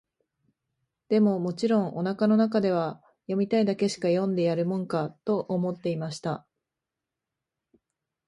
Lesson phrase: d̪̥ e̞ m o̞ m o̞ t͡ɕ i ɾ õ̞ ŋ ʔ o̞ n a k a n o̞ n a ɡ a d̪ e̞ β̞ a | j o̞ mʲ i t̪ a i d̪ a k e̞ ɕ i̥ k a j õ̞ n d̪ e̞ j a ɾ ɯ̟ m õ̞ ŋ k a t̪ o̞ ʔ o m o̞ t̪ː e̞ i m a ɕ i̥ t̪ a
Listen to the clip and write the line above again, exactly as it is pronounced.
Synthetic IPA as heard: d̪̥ e̞ m o̞ m o̞ t͡ɕ i ɾ õ̞ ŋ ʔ o̞ n a k a n o̞ n a k a d̪ e̞ β̞ a | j o̞ mʲ i t̪ a i d̪ a k e̞ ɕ i̥ k a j õ̞ n d̪ e̞ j a ɾ ɯ̟ m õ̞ ŋ k a t̪ o̞ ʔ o m o̞ t̪ː e̞ i m a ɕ i̥ t̪ a

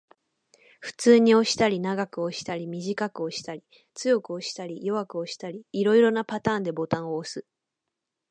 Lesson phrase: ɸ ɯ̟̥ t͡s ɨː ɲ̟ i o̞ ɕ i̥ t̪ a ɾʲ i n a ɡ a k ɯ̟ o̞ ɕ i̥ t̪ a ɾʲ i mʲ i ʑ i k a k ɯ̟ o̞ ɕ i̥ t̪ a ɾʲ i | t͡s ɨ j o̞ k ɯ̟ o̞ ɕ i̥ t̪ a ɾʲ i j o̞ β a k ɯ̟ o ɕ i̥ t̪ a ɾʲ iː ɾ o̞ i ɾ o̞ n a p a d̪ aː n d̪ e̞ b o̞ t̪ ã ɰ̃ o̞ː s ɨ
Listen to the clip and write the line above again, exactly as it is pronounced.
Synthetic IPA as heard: ɸ ɯ̟̥ t͡s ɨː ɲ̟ i o̞ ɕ i̥ t̪ a ɾʲ i n a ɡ a k ɯ̟ o̞ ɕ i̥ t̪ a ɾʲ i mʲ i ʑ i k a k ɯ̟ o̞ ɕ i̥ t̪ a ɾʲ i | t͡s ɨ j o̞ k ɯ̟ o̞ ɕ i̥ t̪ a ɾʲ i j o̞ β a k ɯ̟ o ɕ i̥ t̪ a ɾʲ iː ɾ o̞ i ɾ o̞ n a p a t̪ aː n d̪ e̞ b o̞ t̪ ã ɰ̃ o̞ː s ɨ

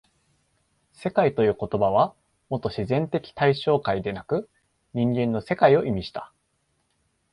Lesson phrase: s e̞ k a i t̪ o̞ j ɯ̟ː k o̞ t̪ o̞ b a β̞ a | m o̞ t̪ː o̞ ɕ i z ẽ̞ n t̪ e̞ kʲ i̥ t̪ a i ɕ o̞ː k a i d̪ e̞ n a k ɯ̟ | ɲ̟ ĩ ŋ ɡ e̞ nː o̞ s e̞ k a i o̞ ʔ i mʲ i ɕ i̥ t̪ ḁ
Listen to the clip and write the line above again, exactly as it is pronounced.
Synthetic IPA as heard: s e̞ k a i t̪ o̞ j ɯ̟ː k o̞ t̪ o̞ b a β̞ a | m o̞ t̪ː o̞ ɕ i z ẽ̞ n t̪ e̞ kʲ i̥ t̪ a i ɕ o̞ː k a i d̪ e̞ n a k ɯ̟ | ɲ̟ ĩ ŋ ɡ ẽ̞ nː o̞ s e̞ k a i o̞ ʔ i mʲ i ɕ i̥ t̪ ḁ

